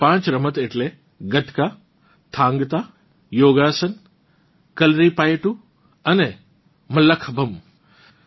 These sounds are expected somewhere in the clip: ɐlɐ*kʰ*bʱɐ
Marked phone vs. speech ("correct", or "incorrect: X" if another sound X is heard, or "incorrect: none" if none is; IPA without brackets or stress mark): correct